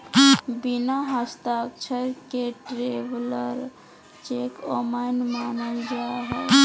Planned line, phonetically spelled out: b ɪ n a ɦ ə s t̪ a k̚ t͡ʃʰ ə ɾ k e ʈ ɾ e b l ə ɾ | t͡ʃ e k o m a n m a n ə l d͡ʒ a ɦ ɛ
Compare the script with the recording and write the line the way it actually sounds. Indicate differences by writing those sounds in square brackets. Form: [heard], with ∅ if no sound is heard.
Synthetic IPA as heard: b [i] n a ɦ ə s t̪ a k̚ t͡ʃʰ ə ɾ k e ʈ ɾ e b l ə ɾ | t͡ʃ e k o m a n m a n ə l d͡ʒ a ɦ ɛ